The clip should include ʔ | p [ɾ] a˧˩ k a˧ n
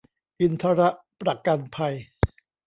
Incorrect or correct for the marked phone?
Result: correct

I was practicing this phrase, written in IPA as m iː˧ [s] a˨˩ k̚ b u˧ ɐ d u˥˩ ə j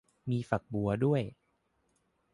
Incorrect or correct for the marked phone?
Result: incorrect: f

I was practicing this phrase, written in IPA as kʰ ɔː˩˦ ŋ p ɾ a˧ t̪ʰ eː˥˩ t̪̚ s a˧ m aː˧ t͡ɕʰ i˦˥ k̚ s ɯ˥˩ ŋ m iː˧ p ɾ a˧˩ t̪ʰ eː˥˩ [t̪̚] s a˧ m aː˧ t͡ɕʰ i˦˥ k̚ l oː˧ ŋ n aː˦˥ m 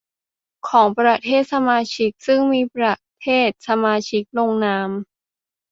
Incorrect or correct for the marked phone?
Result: correct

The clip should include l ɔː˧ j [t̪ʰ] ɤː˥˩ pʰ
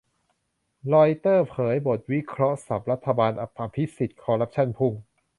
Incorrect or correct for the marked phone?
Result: incorrect: t̪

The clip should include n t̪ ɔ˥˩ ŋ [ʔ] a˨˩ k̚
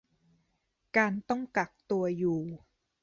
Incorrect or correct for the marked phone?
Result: incorrect: k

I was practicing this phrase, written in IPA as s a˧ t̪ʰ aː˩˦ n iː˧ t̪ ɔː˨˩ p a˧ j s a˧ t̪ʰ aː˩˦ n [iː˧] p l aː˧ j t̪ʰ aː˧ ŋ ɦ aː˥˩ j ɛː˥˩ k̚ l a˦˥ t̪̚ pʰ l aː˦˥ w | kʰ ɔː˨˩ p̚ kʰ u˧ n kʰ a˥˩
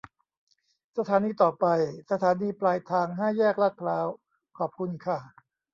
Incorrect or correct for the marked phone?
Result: correct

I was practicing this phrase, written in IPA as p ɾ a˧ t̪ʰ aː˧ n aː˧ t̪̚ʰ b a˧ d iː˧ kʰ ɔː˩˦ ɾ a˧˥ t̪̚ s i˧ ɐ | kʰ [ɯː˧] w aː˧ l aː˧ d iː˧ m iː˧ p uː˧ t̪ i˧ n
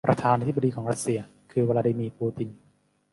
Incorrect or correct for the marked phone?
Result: correct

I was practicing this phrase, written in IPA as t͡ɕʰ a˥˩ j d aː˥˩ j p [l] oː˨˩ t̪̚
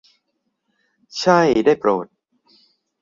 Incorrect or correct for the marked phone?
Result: incorrect: ɾ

